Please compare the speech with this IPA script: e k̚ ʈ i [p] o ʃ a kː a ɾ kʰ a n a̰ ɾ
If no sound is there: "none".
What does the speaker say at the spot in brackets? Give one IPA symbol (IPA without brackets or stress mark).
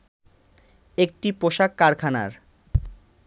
p